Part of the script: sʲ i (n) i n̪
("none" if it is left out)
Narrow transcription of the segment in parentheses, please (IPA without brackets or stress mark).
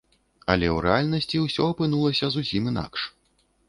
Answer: m